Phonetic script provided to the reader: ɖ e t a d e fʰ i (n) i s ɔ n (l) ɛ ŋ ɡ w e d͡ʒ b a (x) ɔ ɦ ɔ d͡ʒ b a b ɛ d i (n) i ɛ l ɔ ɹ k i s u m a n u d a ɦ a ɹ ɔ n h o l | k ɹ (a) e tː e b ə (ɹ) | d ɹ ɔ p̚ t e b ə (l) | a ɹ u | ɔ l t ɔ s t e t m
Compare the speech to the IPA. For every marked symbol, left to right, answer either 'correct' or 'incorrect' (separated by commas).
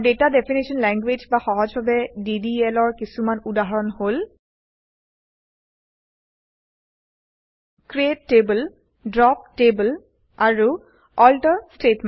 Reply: correct, correct, correct, incorrect, incorrect, incorrect, correct